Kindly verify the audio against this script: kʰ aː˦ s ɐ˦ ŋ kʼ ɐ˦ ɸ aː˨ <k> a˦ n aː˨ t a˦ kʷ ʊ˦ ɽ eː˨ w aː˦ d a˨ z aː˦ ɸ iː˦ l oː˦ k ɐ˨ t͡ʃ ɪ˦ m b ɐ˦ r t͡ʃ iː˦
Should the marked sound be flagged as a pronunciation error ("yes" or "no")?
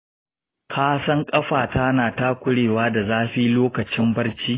yes